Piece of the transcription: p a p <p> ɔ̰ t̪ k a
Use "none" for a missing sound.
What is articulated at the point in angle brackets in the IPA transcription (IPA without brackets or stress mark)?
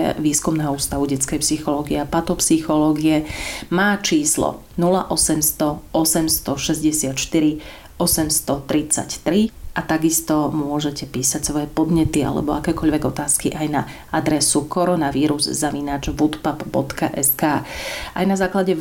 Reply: b